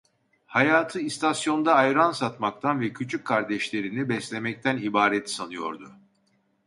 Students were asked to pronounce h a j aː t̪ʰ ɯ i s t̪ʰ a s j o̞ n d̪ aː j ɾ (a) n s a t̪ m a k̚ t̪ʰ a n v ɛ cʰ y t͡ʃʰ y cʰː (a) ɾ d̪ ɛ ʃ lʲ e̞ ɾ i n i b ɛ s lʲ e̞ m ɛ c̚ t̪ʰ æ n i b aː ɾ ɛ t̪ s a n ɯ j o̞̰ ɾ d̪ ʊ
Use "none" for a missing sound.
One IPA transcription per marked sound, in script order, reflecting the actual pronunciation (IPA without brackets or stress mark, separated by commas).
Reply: a, a